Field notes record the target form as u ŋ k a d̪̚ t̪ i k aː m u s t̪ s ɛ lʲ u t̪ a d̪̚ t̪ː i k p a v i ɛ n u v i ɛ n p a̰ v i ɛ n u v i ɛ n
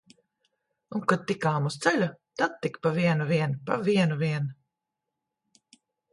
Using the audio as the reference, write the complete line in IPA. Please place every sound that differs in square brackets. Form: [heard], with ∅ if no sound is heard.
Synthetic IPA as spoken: u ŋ k a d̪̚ t̪ i k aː m u s t̪ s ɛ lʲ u t̪ a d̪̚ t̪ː i k p a v i ɛ n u v i ɛ n p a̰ v i ɛ n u v i ɛ n